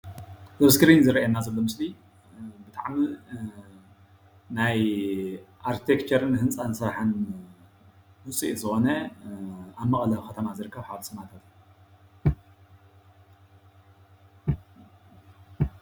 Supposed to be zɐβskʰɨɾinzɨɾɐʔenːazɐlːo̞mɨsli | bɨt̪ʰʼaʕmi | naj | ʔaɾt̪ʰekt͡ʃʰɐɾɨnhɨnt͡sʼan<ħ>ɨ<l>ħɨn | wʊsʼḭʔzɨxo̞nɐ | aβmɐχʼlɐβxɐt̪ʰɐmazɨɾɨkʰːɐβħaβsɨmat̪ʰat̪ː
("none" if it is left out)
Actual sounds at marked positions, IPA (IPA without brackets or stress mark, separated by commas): s, ɾ